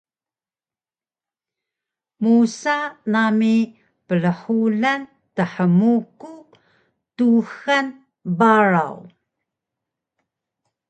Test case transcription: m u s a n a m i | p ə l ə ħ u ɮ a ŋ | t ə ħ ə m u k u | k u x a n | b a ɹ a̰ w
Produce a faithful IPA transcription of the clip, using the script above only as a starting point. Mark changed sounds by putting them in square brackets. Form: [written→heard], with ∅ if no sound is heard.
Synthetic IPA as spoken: m u s a n a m i | p ə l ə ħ u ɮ a [ŋ→n] | t ə ħ ə m u k u | [k→t] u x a n | b a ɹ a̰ w